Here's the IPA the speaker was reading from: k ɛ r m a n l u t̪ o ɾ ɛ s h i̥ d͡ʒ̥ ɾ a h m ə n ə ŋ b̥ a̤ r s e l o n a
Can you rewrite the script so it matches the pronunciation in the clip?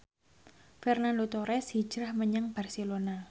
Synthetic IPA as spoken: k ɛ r n a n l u t̪ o ɾ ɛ s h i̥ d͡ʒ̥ ɾ a h m ə ɲ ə ŋ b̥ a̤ r s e l o n a